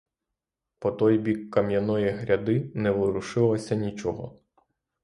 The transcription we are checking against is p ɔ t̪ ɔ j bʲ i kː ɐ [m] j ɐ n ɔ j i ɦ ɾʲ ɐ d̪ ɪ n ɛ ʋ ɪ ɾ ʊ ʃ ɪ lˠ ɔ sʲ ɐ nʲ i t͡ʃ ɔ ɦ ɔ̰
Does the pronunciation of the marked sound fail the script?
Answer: no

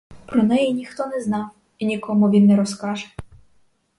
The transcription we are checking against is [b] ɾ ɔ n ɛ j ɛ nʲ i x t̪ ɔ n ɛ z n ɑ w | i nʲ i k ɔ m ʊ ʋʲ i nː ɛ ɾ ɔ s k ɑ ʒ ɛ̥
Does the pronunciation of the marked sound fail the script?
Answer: yes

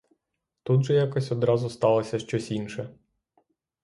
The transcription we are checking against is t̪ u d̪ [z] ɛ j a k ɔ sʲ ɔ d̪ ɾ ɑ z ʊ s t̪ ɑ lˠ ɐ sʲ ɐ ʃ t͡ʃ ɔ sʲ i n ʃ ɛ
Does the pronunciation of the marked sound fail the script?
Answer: yes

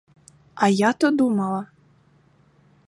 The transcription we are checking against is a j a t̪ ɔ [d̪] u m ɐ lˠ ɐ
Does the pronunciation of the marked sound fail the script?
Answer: no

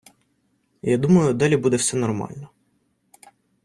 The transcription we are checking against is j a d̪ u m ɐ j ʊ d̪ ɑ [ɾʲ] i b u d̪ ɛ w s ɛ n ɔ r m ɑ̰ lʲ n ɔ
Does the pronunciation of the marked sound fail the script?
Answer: yes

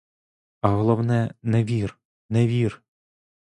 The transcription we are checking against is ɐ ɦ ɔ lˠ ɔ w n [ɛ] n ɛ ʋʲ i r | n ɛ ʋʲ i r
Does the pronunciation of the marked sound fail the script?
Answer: no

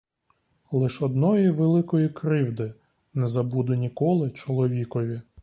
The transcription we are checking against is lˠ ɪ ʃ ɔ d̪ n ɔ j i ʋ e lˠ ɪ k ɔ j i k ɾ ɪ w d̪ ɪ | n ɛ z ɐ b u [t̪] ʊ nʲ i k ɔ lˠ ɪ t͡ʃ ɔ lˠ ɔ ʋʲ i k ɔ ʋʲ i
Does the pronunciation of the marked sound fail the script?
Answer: yes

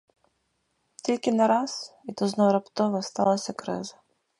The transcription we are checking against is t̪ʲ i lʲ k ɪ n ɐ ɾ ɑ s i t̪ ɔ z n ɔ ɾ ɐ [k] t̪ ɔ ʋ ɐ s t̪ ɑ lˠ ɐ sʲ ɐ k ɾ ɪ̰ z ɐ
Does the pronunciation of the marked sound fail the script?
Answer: yes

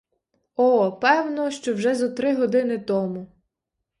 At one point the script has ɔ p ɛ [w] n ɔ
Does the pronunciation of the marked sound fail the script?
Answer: no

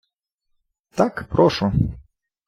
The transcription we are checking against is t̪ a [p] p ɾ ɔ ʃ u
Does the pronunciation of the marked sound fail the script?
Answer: yes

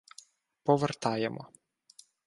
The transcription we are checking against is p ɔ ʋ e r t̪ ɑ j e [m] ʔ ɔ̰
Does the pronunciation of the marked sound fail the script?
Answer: no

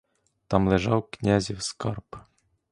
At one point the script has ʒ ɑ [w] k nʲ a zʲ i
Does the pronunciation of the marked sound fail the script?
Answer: no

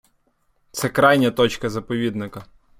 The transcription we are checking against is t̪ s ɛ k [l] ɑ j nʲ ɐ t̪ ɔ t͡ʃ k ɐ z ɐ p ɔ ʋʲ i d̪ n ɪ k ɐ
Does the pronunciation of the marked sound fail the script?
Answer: yes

